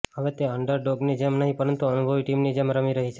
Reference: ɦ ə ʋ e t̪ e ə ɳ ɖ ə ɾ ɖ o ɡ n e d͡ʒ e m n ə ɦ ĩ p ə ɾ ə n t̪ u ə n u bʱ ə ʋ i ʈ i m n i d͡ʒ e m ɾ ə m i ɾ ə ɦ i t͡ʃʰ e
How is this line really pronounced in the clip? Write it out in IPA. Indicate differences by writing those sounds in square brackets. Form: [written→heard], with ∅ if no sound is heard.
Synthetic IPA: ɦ ə ʋ e t̪ e ə ɳ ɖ ə ɾ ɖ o ɡ n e d͡ʒ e m n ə ɦ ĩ p ə ɾ ə n t̪ u ə n u bʱ ə ʋ i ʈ i m n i d͡ʒ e m ɾ ə m i ɾ ə ɦ i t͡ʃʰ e

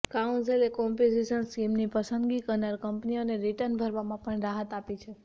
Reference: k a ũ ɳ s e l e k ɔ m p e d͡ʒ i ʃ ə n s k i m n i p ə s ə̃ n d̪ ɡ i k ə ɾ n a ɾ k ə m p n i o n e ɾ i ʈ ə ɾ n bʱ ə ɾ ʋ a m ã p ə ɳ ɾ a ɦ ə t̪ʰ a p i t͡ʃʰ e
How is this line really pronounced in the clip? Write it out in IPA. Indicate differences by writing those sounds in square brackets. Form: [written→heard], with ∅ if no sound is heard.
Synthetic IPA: k a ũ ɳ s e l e k ɔ m p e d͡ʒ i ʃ ə n s k i m n i p ə s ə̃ n d̪ ɡ i k ə ɾ n a ɾ k ə m p n i o n e ɾ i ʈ ə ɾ n bʱ ə ɾ ʋ a m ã p ə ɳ ɾ a ɦ ə [t̪ʰ→t̪] a p i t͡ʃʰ e

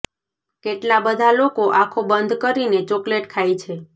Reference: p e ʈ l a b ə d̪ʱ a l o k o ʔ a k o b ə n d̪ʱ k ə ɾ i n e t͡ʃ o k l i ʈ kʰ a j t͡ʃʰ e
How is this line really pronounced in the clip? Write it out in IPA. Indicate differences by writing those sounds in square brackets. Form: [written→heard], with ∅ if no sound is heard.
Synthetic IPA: [p→k] e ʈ l a b ə d̪ʱ a l o k o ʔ a [k→kʰ] o b ə n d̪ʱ k ə ɾ i n e t͡ʃ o k l [i→e] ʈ kʰ a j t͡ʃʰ e

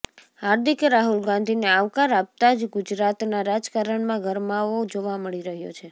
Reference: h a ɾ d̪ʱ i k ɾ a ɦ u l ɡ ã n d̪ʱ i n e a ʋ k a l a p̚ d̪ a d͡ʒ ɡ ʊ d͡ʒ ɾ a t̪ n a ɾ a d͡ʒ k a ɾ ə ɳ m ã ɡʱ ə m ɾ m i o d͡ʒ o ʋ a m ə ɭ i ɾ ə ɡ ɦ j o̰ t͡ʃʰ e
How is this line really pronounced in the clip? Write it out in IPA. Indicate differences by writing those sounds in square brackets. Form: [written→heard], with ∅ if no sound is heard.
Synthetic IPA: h a ɾ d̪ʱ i k ɾ a ɦ u l ɡ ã n d̪ʱ i n e a ʋ k a [l→ɾ] a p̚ [d̪→t̪] a d͡ʒ ɡ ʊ d͡ʒ ɾ a t̪ n a ɾ a d͡ʒ k a ɾ ə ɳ m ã ɡʱ ə [m→∅] ɾ m [i→a] o d͡ʒ o ʋ a m ə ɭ i ɾ ə [ɡ→∅] ɦ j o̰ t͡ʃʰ e

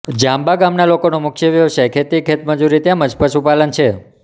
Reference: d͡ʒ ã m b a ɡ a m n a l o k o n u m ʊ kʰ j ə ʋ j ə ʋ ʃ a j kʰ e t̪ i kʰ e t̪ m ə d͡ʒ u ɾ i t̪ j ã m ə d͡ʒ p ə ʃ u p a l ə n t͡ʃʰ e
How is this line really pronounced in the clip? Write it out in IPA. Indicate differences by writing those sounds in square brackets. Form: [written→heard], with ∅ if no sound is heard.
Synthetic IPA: d͡ʒ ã m b a ɡ a m n a l o k o n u m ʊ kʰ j ə ʋ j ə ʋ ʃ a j kʰ e t̪ i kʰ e t̪ m ə d͡ʒ u ɾ i t̪ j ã m ə d͡ʒ p ə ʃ u p a l ə n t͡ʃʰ e

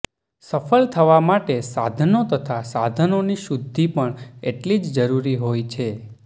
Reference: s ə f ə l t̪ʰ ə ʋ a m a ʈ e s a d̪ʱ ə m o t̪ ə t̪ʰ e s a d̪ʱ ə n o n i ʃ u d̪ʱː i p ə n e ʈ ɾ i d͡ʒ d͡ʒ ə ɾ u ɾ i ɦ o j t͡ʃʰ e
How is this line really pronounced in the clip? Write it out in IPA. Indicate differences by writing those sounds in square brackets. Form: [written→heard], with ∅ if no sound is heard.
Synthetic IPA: s ə f ə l t̪ʰ ə ʋ a m a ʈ e s a d̪ʱ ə [m→n] o t̪ ə t̪ʰ [e→a] s a d̪ʱ ə n o n i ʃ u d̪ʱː i p ə [n→ɳ] e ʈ [ɾ→l] i d͡ʒ d͡ʒ ə ɾ u ɾ i ɦ o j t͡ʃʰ e

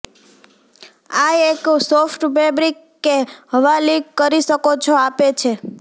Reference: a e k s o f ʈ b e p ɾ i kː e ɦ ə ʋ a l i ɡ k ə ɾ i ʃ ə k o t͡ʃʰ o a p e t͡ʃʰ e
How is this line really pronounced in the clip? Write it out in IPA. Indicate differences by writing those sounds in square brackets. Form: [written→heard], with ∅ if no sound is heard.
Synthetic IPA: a e k s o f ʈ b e [p→b] ɾ i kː e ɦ ə ʋ a l i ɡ k ə ɾ i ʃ ə k o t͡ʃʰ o a p e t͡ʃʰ e

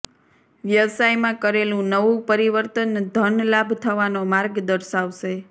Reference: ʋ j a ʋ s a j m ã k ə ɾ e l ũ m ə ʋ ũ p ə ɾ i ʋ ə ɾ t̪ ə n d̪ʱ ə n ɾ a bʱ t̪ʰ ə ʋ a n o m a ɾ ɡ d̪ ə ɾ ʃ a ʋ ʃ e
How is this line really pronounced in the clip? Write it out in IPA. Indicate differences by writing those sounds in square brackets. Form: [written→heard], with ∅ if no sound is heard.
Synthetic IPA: ʋ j [a→ə] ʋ s a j m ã k ə ɾ e l ũ [m→n] ə ʋ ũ p ə ɾ i ʋ ə ɾ t̪ ə n d̪ʱ ə n [ɾ→l] a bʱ t̪ʰ ə ʋ a n o m a ɾ ɡ d̪ ə ɾ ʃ a ʋ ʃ e

